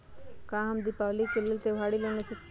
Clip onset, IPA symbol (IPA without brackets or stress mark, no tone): k